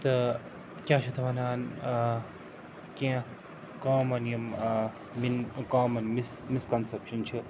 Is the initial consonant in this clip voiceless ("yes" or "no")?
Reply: yes